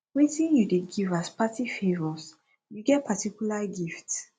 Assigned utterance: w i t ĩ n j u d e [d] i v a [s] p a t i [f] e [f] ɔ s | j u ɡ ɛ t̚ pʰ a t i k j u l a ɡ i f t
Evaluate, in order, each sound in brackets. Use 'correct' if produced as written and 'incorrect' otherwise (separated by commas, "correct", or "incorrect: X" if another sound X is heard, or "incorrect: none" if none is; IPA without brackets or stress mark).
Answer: incorrect: ɡ, correct, correct, incorrect: v